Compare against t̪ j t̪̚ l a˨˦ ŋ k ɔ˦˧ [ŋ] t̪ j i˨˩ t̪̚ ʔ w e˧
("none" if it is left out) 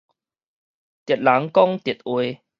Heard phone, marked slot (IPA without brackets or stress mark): ŋ